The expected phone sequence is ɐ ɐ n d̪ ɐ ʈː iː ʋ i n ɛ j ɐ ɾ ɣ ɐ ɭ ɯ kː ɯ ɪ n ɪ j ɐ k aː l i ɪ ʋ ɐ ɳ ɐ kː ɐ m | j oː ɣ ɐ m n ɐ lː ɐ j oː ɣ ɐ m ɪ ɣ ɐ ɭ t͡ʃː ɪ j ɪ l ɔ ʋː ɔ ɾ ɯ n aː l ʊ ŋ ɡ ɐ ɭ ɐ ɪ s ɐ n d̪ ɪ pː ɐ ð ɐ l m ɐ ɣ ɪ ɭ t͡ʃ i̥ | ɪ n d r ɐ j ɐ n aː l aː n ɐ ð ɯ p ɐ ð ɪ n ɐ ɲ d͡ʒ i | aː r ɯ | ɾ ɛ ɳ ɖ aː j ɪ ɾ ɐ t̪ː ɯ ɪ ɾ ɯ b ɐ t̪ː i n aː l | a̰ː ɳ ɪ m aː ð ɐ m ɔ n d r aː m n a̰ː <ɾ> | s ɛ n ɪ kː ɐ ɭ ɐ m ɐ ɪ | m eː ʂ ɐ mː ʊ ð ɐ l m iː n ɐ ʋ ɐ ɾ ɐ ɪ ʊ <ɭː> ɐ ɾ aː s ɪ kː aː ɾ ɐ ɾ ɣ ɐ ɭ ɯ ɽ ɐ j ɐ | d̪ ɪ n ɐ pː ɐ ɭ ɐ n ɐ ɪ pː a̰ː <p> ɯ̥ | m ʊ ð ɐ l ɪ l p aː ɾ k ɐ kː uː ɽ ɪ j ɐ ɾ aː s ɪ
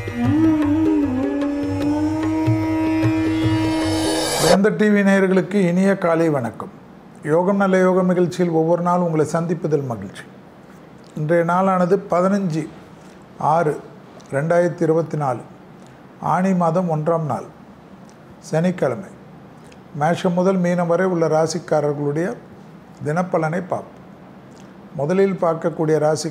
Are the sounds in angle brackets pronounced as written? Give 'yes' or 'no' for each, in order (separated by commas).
no, yes, yes